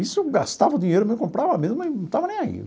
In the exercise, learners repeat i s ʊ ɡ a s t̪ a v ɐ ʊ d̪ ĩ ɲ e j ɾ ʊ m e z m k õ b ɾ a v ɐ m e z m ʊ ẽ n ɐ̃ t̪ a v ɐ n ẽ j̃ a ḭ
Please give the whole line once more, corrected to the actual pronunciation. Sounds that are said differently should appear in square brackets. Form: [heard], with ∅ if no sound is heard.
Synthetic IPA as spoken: i s ʊ ɡ a s t̪ a v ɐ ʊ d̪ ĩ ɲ e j ɾ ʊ m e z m k õ [p] ɾ a v ɐ m e z m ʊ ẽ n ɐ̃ t̪ a v ɐ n ẽ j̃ a ḭ